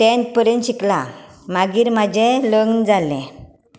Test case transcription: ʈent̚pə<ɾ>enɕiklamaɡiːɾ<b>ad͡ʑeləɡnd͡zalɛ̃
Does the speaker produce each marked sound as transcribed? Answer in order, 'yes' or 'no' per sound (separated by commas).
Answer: yes, no